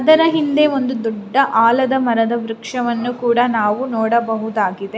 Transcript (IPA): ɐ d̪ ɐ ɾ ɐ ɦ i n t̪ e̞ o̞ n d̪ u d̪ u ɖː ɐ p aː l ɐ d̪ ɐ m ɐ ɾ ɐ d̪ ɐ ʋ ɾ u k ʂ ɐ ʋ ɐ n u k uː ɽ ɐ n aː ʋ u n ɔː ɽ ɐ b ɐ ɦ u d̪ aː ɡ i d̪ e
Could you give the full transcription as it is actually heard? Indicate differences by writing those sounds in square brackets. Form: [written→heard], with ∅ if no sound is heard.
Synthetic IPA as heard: ɐ d̪ ɐ ɾ ɐ ɦ i n [t̪→d̪] e̞ o̞ n d̪ u d̪ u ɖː ɐ [p→ʔ] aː l ɐ d̪ ɐ m ɐ ɾ ɐ d̪ ɐ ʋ ɾ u k ʂ ɐ ʋ ɐ [n→nː] u k uː ɽ ɐ n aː ʋ u n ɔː ɽ ɐ b ɐ ɦ u d̪ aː ɡ i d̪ e